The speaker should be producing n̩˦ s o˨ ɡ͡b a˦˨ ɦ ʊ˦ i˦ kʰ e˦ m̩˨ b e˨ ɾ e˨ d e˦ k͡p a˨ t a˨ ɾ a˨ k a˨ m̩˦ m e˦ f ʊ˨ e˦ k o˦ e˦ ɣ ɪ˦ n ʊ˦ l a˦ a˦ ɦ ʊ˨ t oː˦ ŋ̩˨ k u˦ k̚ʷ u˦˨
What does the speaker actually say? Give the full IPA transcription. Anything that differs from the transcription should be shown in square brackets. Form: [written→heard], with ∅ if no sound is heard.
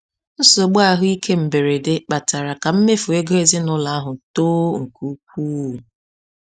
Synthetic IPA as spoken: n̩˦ s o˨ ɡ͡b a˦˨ ɦ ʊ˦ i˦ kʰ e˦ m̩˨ b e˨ ɾ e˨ d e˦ k͡p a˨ t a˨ ɾ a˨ k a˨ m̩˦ m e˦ f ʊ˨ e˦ [k→ɡ] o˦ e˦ [ɣ→z] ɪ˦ n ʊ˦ l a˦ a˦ ɦ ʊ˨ t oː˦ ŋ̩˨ k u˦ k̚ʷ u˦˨